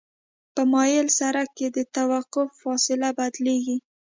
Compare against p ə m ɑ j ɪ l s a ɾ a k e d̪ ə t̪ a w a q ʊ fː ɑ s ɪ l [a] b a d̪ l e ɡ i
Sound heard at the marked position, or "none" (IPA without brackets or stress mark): a